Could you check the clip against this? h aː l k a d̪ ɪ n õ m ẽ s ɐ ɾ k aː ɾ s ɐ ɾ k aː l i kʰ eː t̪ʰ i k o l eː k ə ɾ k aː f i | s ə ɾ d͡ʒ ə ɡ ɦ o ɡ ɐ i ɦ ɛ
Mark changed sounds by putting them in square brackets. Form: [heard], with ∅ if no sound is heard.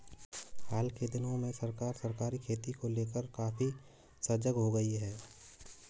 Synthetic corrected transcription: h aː l k [e] d̪ ɪ n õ m ẽ s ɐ ɾ k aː ɾ s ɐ ɾ k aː [ɾ] i kʰ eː [t̪] i k o l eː k ə ɾ k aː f i | s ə ɾ d͡ʒ ə ɡ ɦ o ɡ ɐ i ɦ [ɛː]